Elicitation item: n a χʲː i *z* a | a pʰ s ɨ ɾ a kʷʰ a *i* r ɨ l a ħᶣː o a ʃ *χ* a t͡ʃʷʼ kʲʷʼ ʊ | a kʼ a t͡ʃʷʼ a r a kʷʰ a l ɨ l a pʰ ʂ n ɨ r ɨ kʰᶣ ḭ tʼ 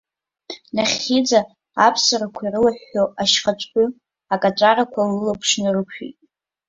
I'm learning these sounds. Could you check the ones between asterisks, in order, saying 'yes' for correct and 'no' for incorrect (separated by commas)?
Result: no, yes, yes